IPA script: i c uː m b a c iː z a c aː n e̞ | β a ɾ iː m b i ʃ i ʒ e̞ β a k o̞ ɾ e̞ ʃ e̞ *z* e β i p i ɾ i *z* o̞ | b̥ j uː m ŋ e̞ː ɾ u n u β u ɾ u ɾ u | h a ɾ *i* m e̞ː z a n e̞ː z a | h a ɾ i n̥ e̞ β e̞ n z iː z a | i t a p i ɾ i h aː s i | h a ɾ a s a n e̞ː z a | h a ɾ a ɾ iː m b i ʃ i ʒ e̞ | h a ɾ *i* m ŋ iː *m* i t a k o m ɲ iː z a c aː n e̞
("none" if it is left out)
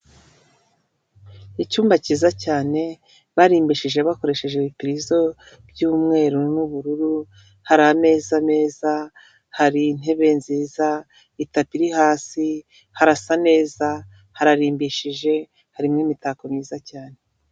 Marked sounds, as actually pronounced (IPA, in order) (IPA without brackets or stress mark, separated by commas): ʒ, z, a, i, m